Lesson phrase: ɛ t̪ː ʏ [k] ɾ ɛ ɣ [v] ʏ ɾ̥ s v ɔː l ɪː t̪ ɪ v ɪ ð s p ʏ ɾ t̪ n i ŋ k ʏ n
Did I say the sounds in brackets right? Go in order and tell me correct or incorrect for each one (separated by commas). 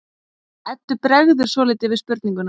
incorrect, incorrect